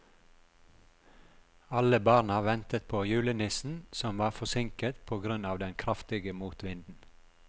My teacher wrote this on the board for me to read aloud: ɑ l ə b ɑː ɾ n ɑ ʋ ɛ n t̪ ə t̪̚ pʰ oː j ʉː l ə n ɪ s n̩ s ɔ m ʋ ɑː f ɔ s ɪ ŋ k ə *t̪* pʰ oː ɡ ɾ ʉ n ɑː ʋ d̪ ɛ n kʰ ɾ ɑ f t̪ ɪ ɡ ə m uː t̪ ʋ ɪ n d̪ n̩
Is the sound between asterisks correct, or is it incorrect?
correct